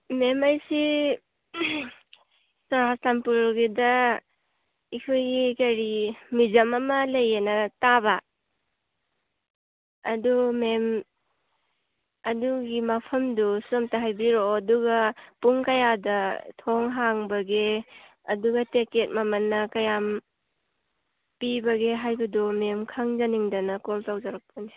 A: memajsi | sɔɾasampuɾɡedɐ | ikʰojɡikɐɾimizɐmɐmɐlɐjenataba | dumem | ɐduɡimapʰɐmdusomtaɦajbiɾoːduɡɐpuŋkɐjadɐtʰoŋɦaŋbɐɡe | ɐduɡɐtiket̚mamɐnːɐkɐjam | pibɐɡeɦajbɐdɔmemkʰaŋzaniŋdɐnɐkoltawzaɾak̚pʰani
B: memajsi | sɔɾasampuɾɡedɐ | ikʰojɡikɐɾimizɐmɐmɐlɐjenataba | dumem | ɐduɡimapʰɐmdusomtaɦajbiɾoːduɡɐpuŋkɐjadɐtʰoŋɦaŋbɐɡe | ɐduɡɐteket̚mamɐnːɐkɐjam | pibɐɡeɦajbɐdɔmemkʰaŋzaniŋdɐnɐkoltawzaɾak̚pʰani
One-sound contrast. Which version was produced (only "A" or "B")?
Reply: B